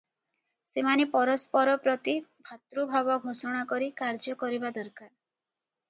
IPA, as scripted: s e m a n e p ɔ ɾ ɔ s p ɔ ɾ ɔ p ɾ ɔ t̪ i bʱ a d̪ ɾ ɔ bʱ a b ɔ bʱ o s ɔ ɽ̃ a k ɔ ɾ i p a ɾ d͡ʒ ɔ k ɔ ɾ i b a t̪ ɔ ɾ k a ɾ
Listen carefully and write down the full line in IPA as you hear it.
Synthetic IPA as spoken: s e m a n e p ɔ ɾ ɔ s p ɔ ɾ ɔ p ɾ ɔ t̪ i bʱ a t̪ ɾ u bʱ a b ɔ ɡʱ o s ɔ ɽ̃ a k ɔ ɾ i k a ɾ d͡ʒ ɔ k ɔ ɾ i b a d̪ ɔ ɾ k a ɾ